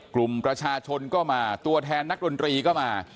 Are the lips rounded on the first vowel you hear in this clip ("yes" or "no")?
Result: yes